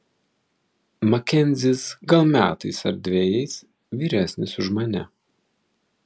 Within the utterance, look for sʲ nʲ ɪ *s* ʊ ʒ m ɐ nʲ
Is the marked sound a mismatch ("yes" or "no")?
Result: no